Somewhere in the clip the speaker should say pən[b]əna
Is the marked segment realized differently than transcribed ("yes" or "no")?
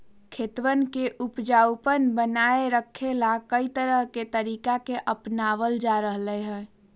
no